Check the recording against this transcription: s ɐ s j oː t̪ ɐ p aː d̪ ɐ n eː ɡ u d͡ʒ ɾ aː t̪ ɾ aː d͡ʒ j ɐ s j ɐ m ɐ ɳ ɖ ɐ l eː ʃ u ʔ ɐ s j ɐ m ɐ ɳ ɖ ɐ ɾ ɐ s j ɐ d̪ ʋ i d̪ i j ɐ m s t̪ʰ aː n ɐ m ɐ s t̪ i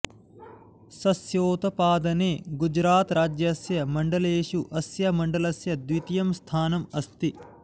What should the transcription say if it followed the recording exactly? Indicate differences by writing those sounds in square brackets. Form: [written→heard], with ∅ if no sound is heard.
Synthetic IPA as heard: s ɐ s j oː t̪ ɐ p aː d̪ ɐ n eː ɡ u d͡ʒ ɾ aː t̪ ɾ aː d͡ʒ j ɐ s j ɐ m ɐ ɳ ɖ ɐ l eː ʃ u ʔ ɐ s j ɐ m ɐ ɳ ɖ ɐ [ɾ→l] ɐ s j ɐ d̪ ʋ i [d̪→t̪] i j ɐ m s t̪ʰ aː n ɐ m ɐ s t̪ i